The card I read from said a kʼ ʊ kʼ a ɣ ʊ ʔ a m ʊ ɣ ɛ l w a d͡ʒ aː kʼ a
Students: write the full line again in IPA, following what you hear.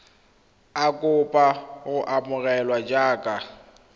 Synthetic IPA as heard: a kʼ ʊ pʼ a ɣ ʊ ʔ a m ʊ ɣ ɛ l w a d͡ʒ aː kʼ a

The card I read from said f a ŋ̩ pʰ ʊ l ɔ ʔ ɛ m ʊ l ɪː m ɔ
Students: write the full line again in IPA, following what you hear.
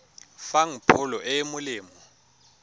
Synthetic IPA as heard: f a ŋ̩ pʰ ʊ l ɔ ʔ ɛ m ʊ l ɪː m ɔ

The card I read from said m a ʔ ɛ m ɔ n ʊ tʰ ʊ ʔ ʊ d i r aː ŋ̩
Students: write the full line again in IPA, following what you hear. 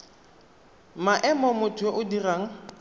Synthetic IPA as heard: m a ʔ ɛ m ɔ m ʊ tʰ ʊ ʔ ʊ d i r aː ŋ̩

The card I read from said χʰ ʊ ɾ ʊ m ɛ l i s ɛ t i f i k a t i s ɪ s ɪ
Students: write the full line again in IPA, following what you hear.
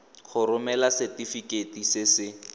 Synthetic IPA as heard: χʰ ʊ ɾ ʊ m ɛ l a s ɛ t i f i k e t i s ɪ s ɪ

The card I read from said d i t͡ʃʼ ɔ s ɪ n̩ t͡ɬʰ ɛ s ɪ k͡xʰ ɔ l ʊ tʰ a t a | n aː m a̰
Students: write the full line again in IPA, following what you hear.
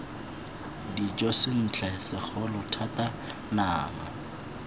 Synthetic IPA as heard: d i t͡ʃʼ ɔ s ɪ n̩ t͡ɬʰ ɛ s ɪ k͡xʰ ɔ l ʊ tʰ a t a | n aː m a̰

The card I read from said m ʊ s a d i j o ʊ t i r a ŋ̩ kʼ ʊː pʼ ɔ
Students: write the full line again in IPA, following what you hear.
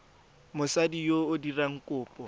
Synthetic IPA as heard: m ʊ s a d i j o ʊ d i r a ŋ̩ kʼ ʊː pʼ ɔ

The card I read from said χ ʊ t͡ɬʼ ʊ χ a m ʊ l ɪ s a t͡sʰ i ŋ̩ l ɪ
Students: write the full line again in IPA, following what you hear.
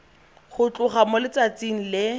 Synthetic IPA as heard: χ ʊ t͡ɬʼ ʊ χ a m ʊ l ɪ t͡s a t͡s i ŋ̩ l ɪ

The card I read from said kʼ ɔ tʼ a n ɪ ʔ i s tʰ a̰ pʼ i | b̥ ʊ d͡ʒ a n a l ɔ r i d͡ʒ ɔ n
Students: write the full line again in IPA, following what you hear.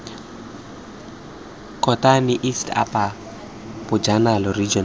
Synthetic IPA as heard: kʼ ɔ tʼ a n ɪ ʔ i s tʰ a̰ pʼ a | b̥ ʊ d͡ʒ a n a l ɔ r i d͡ʒ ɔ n

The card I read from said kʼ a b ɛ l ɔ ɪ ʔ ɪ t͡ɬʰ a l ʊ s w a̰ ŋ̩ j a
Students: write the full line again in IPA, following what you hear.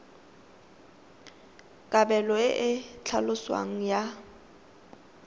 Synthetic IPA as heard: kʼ a b ɛ l ɔ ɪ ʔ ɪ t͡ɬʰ a l ʊ s w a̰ ŋ̩ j a

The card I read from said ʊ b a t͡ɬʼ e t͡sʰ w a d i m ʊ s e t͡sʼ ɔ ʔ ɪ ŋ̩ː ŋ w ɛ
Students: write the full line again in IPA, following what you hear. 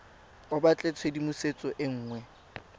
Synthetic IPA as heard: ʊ b a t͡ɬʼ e t͡sʰ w e d i m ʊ s e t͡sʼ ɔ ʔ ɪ ŋ̩ː ŋ w ɛ

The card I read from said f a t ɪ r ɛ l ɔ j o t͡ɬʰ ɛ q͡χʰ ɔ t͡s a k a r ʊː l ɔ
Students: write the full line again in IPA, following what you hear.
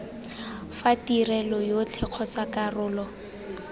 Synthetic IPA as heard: f a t i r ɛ l ɔ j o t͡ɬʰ ɛ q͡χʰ ɔ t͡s a k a r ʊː l ɔ

